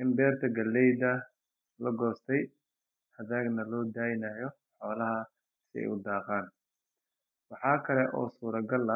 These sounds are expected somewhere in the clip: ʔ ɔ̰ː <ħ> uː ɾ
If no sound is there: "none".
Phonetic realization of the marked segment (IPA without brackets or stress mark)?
s